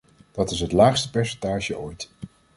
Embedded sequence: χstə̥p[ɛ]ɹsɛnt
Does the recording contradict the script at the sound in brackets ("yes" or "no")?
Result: no